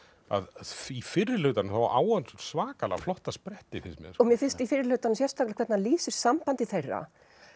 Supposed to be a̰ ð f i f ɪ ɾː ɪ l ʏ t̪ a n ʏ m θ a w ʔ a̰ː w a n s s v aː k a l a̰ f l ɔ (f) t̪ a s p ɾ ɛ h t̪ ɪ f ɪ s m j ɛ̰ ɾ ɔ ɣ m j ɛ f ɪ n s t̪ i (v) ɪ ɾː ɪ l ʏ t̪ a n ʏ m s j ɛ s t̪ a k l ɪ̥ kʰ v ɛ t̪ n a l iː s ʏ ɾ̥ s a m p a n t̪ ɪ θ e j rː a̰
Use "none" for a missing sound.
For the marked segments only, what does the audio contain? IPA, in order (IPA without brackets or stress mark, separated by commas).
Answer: h, f